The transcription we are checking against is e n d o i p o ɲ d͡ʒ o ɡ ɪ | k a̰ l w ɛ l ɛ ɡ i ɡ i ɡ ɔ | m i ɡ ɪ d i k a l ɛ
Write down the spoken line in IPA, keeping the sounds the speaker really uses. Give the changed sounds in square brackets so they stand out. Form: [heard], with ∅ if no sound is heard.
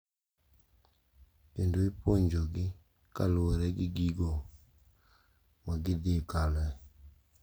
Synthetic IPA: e n d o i p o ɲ d͡ʒ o ɡ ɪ | k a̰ l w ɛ [ɾ] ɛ ɡ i ɡ i ɡ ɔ | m [a] ɡ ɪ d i k a l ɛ

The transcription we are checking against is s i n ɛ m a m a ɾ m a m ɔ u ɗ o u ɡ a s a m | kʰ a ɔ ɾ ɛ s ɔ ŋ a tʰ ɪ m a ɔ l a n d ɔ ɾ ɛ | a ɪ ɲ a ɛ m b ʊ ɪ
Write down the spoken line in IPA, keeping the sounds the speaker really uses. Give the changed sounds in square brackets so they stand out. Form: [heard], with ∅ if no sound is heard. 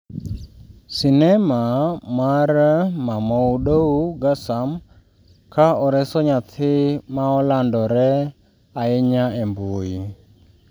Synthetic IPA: s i n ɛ m a m a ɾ m a m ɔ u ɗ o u ɡ a s a m | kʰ a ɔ ɾ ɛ s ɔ [ɲ] a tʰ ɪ m a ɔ l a n d ɔ ɾ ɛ | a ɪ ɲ a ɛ m b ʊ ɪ

